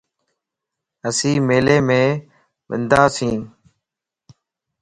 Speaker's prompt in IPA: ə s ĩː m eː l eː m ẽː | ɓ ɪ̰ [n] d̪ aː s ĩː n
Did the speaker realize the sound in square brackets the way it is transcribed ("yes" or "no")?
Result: yes